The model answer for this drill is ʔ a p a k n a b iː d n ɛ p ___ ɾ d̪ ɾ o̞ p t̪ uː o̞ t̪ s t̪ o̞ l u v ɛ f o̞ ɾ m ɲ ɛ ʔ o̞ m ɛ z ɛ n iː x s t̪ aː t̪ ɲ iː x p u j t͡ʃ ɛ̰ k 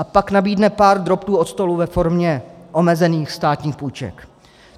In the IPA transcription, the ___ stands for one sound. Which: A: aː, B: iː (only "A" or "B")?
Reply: A